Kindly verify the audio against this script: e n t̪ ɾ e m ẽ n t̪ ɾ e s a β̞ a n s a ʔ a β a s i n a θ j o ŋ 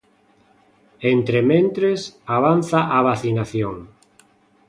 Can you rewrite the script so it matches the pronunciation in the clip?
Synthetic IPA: e n t̪ ɾ e m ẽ n t̪ ɾ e s a β̞ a n θ a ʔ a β a θ i n a θ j o ŋ